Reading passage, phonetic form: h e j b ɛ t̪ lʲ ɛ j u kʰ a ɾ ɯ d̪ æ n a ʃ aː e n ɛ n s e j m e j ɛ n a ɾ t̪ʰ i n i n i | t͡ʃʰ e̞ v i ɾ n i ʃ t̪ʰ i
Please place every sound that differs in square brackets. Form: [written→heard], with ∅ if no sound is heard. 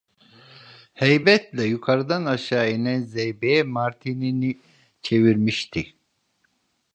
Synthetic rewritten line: h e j b ɛ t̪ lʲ ɛ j u kʰ a ɾ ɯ d̪ [æ→a] n a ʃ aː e n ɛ n [s→z] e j [m→b] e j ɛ [n→m] a ɾ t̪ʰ i n i n i | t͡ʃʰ e̞ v i ɾ [n→m] i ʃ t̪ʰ i